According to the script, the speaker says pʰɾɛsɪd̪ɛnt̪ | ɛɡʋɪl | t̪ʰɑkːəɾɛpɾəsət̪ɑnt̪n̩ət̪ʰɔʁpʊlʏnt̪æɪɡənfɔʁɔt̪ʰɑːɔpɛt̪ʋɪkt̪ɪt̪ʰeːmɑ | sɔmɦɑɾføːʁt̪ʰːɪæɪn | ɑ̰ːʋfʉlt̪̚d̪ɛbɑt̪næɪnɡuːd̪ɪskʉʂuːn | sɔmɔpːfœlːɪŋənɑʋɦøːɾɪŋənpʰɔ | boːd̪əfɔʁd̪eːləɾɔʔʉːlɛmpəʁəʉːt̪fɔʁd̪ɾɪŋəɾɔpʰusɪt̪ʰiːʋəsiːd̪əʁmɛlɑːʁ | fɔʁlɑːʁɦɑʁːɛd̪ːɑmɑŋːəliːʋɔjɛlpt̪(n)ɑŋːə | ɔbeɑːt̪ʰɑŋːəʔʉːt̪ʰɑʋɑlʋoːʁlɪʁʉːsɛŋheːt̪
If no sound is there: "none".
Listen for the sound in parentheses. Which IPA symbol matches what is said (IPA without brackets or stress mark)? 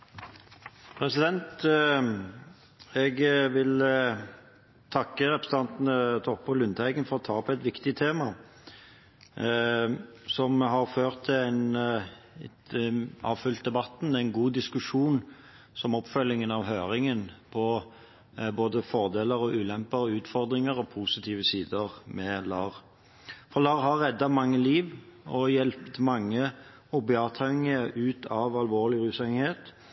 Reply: m